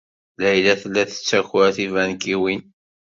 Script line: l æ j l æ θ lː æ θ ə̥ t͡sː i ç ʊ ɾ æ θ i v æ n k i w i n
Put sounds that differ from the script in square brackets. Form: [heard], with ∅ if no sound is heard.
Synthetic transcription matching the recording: l æ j l æ θ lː æ θ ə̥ t͡sː [æ] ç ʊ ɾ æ θ i v æ n k i w i n